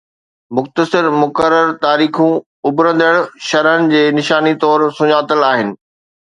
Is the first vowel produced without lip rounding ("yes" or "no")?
no